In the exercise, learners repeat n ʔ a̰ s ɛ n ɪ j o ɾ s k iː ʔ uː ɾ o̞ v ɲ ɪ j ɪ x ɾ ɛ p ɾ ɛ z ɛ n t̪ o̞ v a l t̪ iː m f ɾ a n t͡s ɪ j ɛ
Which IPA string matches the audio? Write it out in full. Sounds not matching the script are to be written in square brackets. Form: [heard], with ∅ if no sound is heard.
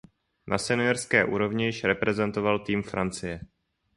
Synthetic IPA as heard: n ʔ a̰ s ɛ n ɪ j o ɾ s k [ɛː] ʔ uː ɾ o̞ v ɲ ɪ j ɪ [ʃ] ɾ ɛ p ɾ ɛ z ɛ n t̪ o̞ v a l t̪ iː m f ɾ a n t͡s ɪ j ɛ